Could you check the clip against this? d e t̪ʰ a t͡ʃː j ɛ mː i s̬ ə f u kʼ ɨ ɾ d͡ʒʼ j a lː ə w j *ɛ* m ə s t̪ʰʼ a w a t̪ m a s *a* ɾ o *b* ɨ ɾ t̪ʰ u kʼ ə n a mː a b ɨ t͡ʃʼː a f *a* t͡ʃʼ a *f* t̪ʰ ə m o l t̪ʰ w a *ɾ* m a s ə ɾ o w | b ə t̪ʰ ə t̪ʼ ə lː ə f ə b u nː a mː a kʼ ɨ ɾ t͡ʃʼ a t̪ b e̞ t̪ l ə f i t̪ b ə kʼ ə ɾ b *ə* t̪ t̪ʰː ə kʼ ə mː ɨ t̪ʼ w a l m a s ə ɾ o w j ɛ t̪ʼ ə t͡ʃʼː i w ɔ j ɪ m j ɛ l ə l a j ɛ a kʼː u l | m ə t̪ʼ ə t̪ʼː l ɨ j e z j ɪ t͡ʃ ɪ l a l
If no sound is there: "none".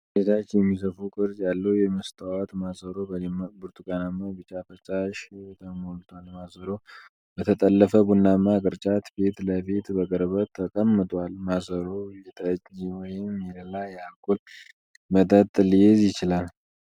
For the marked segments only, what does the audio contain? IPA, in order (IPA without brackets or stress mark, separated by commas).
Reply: ɛ, ə, b, ə, ʃ, l, ə